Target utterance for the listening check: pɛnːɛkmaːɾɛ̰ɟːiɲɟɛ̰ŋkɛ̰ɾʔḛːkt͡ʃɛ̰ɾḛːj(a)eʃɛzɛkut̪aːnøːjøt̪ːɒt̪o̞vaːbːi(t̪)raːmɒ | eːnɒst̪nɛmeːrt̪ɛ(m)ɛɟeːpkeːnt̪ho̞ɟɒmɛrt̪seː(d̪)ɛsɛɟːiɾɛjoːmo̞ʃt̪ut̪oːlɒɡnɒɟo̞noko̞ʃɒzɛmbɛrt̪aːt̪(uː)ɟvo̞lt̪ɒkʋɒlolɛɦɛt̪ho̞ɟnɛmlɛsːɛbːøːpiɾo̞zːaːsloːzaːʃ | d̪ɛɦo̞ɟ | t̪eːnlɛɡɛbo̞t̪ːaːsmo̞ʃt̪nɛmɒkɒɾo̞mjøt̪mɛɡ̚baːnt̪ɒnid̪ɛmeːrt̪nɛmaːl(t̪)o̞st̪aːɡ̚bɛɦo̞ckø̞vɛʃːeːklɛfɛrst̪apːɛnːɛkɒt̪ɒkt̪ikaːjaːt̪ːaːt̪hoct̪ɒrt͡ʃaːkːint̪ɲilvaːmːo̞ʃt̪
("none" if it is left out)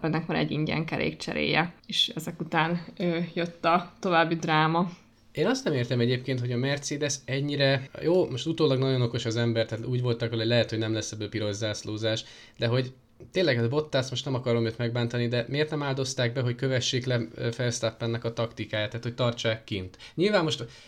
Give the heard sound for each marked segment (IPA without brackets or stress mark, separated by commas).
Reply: ɛ, d̪, m, d̪, uː, d̪